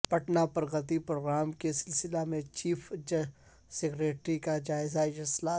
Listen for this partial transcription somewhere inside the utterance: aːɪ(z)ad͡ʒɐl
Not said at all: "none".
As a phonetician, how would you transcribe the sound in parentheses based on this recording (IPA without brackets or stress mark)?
z